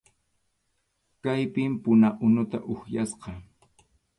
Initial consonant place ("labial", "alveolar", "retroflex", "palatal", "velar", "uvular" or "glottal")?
velar